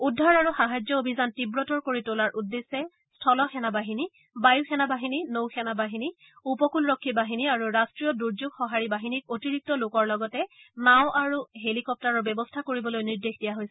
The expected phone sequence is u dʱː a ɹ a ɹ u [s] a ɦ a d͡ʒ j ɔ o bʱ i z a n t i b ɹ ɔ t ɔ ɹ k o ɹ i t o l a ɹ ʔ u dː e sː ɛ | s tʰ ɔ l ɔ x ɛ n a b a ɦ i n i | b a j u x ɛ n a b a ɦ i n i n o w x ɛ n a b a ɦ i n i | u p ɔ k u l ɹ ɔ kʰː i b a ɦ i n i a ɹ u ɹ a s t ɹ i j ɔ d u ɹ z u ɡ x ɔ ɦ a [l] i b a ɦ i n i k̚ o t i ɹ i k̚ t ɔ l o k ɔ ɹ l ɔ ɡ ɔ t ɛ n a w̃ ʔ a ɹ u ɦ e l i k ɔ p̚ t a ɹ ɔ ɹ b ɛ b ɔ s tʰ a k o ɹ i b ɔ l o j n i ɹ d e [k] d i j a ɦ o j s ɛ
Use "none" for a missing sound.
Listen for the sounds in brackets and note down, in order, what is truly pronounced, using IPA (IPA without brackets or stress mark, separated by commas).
x, ɹ, x